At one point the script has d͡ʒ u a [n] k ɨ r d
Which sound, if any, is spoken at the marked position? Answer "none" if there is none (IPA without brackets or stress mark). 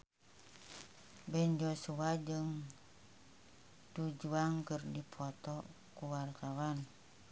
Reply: ŋ